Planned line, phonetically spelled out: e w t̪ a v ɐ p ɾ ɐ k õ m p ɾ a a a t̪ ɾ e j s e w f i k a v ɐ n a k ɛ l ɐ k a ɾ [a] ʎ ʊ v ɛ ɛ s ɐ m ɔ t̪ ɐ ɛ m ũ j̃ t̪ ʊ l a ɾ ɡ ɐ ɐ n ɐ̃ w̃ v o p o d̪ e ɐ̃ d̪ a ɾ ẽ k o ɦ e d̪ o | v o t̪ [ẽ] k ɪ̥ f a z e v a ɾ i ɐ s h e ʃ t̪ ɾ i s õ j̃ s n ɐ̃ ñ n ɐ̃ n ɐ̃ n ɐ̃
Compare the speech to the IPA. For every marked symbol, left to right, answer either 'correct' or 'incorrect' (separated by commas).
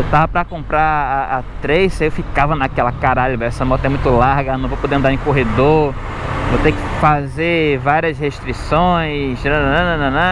correct, incorrect